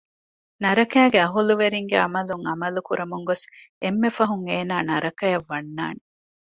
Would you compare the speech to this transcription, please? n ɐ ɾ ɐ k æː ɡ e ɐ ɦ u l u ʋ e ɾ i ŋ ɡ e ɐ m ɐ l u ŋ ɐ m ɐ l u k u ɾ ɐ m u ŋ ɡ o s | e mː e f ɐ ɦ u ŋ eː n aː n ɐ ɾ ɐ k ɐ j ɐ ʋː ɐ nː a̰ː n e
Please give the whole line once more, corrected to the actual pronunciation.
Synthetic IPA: n ɐ ɾ ɐ k æː ɡ e ɐ ɦ u l u ʋ e ɾ i ŋ ɡ e ɐ m ɐ l u ŋ ɐ m ɐ l u k u ɾ ɐ m u ŋ ɡ o s | e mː e f ɐ ɦ u ŋ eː n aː n ɐ ɾ ɐ k ɐ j ɐ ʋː ɐ nː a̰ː n e